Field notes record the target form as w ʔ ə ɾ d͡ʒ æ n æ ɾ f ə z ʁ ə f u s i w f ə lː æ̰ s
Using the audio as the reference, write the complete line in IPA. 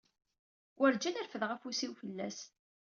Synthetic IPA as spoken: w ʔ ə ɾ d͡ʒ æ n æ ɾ f ə ð ʁ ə f u s i w f ə lː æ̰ s